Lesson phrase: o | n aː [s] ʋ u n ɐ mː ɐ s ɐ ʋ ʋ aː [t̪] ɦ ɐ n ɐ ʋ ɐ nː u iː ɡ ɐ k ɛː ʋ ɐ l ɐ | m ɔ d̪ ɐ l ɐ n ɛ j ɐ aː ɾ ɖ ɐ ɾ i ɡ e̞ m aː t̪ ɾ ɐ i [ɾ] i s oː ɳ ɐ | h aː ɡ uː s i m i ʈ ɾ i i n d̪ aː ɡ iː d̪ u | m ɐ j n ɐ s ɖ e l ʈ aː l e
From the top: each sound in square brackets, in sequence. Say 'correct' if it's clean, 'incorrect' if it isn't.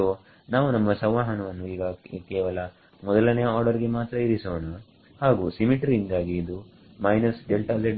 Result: incorrect, incorrect, correct

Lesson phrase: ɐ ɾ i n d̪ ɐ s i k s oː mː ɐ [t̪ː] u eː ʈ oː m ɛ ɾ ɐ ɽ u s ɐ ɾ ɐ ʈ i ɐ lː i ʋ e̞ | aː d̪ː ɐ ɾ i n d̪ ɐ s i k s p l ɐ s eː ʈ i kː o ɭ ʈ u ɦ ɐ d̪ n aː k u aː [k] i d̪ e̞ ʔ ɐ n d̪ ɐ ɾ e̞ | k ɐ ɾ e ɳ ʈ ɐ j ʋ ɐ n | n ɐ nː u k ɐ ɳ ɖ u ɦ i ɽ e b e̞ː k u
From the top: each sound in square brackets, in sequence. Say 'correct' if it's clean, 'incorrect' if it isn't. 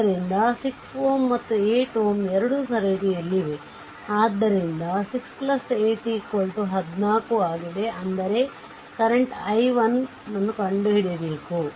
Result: correct, incorrect

